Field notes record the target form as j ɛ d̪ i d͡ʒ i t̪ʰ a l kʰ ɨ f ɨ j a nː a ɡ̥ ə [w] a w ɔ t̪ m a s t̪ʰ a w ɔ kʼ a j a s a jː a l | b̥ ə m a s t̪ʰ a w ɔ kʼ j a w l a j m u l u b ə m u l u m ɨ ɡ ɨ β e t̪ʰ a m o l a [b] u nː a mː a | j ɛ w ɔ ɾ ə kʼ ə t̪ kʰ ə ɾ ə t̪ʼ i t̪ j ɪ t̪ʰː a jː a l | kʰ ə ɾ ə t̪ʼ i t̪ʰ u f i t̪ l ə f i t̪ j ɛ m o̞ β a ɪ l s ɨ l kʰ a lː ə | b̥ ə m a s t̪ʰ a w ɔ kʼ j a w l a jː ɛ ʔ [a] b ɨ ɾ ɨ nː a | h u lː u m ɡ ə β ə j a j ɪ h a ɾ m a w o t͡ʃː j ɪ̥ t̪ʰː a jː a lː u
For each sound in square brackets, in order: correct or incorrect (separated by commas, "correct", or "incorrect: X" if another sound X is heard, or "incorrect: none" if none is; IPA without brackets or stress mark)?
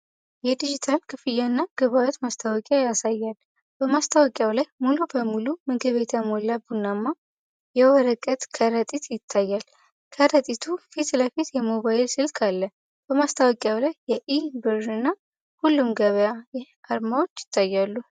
incorrect: β, correct, incorrect: i